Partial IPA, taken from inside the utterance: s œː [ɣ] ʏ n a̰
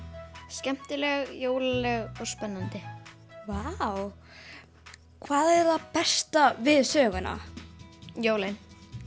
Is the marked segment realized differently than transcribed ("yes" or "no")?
no